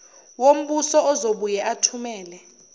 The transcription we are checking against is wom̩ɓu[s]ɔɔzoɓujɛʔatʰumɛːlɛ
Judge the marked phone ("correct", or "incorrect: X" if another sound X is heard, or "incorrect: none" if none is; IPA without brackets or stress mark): correct